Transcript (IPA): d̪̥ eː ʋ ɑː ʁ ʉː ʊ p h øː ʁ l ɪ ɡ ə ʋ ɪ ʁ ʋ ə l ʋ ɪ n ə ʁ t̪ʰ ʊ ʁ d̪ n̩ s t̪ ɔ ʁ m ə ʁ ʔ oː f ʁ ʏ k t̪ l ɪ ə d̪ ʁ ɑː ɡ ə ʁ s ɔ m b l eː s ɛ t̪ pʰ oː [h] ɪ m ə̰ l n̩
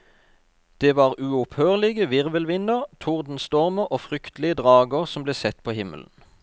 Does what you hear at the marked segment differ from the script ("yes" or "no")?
no